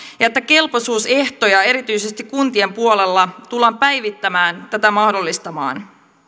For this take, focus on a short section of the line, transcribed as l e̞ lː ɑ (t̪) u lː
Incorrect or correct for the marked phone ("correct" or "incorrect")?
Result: correct